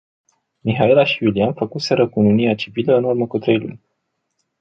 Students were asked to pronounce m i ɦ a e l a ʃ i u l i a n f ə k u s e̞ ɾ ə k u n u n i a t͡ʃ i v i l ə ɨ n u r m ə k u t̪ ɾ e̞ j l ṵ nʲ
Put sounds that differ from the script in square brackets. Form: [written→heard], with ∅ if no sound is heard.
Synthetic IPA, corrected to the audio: m i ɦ a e l a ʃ i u l i a n f ə k u s e̞ ɾ ə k u n u n i a t͡ʃ i v i l ə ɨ n u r m ə k u t̪ ɾ e̞ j l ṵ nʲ